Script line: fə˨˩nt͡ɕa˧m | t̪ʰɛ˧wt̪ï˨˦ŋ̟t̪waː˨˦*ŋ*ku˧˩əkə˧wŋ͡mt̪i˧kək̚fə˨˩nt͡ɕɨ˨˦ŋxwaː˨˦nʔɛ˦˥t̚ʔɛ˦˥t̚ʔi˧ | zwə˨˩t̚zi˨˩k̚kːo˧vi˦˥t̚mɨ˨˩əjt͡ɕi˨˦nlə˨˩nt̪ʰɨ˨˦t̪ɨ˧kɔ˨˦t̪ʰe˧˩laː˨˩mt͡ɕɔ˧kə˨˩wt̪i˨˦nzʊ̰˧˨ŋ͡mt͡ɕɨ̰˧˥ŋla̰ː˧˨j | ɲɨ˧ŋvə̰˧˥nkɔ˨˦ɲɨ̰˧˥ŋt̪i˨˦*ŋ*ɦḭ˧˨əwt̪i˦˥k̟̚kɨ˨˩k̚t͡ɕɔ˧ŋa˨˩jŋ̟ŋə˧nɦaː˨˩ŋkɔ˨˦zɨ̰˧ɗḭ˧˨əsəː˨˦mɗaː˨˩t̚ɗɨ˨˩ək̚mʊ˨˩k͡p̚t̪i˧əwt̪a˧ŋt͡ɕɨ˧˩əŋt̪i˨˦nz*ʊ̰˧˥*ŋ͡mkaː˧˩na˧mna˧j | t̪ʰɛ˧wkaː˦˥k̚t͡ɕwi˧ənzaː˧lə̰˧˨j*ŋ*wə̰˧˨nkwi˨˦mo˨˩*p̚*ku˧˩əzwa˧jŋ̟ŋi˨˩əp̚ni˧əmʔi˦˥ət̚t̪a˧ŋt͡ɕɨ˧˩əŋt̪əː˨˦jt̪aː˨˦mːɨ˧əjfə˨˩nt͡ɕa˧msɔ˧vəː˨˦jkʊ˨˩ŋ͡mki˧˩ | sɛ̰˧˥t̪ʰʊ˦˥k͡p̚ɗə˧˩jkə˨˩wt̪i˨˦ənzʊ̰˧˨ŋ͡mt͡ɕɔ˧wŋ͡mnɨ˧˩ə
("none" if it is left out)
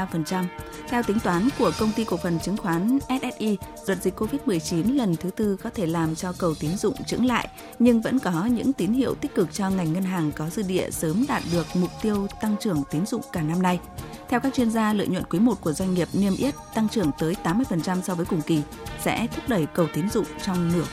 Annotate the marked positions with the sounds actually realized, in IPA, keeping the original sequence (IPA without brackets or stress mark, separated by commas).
n, n, ʊ̰˧˨, ɲ, t̚